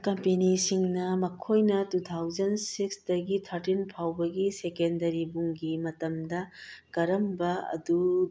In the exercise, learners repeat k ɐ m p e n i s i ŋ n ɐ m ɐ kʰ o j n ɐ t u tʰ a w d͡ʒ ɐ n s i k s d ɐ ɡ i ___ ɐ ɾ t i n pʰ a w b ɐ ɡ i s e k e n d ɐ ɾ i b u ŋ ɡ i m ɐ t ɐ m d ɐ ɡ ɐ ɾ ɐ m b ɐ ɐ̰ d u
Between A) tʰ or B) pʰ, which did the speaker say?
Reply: A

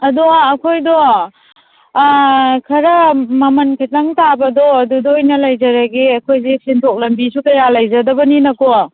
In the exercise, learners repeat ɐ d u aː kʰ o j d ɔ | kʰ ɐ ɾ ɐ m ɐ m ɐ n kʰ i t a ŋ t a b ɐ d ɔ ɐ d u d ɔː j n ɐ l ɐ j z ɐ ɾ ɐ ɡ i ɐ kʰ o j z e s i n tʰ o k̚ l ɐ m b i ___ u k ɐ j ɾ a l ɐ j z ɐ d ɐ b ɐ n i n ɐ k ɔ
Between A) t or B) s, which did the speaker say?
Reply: B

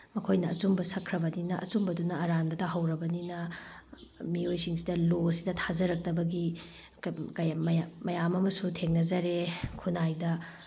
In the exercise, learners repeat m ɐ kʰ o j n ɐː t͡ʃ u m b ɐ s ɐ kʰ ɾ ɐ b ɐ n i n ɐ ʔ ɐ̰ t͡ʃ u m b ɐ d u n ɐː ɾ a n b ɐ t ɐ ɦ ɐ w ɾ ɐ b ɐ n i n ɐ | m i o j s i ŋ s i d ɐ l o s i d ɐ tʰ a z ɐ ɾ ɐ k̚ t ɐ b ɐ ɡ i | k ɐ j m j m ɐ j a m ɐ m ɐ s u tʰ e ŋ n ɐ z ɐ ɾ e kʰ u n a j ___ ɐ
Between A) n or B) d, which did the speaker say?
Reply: B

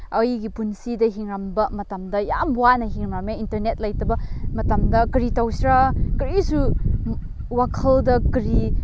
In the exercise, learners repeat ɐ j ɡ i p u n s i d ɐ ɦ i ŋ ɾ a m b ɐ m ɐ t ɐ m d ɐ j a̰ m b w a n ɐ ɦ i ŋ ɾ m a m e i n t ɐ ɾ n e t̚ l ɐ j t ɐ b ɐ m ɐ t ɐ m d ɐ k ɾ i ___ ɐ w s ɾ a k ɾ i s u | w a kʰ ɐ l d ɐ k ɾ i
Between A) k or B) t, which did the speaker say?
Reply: B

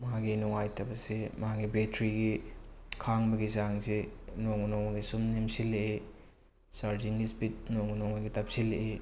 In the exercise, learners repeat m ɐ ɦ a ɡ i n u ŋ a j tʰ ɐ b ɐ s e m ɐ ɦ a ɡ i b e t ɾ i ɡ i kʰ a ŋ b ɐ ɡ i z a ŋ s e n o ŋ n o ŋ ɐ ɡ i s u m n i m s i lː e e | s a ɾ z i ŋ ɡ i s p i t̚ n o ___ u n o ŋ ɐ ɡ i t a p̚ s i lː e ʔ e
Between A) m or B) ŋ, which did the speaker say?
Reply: B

